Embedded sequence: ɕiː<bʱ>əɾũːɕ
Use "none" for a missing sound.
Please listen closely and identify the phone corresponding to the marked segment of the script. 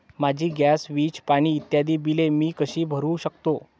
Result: bʱ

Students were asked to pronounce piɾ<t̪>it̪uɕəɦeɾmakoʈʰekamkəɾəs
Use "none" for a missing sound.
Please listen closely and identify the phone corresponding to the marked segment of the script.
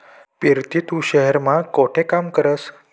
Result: t̪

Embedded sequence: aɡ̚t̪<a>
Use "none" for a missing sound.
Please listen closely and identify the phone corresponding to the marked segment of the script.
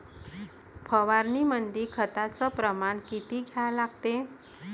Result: e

